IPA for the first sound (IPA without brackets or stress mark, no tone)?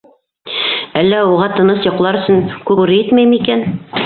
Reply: æ